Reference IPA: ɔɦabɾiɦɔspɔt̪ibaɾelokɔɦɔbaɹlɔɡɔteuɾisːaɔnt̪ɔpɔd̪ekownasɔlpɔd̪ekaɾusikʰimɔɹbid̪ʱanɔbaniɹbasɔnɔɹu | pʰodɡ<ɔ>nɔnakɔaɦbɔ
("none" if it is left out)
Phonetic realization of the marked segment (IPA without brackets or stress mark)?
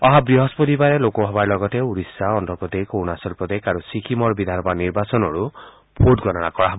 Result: ɔ